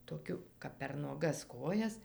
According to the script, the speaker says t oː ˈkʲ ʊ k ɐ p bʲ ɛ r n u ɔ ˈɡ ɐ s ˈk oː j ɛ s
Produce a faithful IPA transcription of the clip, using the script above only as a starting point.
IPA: t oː ˈkʲ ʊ k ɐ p pʲ ɛ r n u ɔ ˈɡ ɐ s ˈk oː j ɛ s